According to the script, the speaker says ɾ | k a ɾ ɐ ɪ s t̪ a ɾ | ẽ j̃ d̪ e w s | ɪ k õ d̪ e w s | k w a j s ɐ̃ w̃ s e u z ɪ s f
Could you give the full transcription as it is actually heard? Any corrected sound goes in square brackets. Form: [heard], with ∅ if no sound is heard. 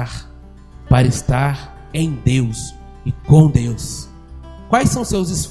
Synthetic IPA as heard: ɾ | [p] a ɾ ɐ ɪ s t̪ a ɾ | ẽ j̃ d̪ e w s | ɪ k õ d̪ e w s | k w a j s ɐ̃ w̃ s e [w] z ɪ s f